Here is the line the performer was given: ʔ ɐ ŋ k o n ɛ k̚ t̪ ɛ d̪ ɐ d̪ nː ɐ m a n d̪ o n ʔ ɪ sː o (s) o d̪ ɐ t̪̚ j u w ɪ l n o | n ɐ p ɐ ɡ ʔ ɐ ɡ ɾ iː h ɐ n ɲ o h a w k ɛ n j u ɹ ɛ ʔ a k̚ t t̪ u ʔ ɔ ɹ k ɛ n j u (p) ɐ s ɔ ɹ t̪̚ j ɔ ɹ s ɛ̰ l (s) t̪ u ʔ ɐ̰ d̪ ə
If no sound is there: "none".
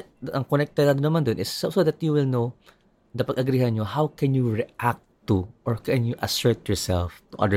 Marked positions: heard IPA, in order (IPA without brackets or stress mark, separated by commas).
s, ʔ, f